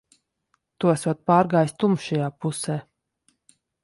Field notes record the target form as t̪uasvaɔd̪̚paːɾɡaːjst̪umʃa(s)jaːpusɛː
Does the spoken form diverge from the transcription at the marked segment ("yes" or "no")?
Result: yes